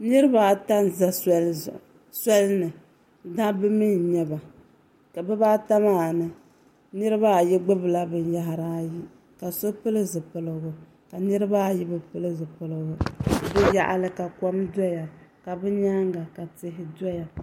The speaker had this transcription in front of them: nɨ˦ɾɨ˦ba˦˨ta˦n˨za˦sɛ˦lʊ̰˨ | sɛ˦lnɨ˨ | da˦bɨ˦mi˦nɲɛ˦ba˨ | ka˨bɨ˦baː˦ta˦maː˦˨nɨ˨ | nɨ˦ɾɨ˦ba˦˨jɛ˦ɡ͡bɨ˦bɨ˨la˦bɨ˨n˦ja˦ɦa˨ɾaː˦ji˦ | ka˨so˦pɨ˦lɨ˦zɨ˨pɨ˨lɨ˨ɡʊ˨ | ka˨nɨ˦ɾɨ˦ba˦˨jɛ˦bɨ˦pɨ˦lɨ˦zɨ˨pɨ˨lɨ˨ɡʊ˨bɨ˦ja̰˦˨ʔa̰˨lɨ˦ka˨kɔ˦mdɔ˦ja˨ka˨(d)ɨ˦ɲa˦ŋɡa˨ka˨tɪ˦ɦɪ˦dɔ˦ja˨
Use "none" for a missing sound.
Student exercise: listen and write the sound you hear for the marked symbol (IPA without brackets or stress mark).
b